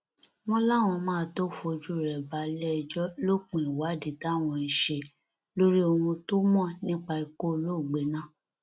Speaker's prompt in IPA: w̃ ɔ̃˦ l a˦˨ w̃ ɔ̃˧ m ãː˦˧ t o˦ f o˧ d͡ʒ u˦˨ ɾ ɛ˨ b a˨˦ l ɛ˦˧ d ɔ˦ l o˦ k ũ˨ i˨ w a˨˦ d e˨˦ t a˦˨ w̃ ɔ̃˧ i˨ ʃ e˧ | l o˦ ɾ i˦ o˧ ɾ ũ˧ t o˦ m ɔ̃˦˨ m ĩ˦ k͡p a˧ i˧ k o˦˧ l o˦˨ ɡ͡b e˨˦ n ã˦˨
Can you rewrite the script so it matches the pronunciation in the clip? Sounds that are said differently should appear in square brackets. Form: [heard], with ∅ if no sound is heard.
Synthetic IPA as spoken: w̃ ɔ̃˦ l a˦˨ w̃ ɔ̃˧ m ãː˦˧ t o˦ f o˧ d͡ʒ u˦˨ ɾ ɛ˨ b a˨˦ l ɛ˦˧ [d͡ʒ] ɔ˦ l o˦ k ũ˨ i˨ w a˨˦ d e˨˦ t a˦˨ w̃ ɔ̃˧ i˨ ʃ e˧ | l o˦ ɾ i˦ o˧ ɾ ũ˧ t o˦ m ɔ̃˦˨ [n] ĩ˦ k͡p a˧ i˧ k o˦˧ l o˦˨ ɡ͡b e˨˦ n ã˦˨